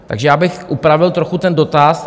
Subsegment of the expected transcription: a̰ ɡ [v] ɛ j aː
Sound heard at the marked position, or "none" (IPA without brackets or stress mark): ʒ